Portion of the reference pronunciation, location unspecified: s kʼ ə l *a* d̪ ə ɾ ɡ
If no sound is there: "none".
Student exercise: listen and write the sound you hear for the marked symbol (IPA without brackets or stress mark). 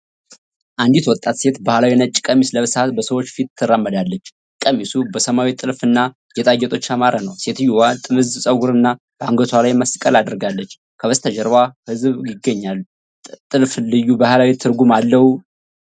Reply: a